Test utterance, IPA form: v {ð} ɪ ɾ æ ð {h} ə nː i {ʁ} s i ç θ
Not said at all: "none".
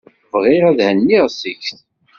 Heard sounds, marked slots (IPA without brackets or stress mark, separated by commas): ʁ, h, ʁ